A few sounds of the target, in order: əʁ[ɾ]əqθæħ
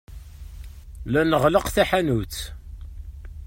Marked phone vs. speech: incorrect: l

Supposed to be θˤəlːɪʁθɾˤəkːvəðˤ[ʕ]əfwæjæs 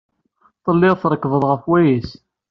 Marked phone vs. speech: incorrect: ʁ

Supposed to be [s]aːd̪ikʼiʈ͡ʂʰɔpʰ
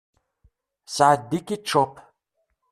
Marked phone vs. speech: correct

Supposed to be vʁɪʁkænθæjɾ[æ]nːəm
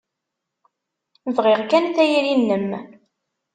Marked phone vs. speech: incorrect: i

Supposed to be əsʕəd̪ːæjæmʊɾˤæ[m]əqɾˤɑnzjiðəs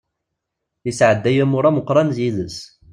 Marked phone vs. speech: correct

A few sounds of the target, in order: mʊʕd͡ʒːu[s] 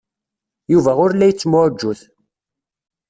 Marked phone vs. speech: incorrect: θ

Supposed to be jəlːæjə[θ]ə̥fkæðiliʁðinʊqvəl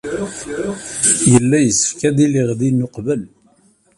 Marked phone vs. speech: incorrect: s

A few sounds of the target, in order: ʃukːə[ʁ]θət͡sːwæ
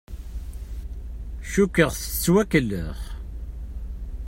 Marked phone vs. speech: correct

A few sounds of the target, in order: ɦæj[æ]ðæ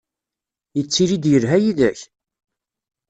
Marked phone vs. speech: incorrect: i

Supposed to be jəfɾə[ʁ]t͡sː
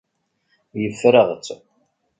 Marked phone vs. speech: correct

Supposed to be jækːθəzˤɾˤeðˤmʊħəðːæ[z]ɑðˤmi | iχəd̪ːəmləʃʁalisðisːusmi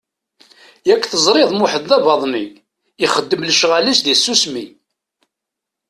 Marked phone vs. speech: incorrect: v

